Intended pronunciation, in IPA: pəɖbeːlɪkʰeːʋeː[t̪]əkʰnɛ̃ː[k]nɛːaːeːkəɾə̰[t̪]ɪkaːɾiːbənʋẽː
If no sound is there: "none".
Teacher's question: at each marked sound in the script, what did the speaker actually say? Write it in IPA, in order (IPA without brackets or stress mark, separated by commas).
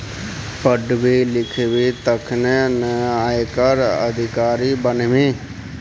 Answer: t̪, none, d̪